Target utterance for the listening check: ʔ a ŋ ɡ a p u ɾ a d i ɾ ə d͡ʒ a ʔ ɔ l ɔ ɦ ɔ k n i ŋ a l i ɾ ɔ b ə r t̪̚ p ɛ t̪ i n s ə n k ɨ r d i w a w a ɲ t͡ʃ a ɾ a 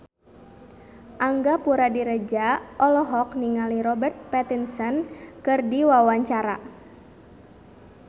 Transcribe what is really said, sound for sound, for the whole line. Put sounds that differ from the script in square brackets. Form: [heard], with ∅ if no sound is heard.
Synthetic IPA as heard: ʔ a ŋ ɡ a p u ɾ a d i ɾ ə d͡ʒ a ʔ ɔ l ɔ ɦ ɔ k n i ŋ a l i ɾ ɔ b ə r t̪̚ p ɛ t̪ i n s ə n k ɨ r d i w a w a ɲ t͡ʃ a ɾ a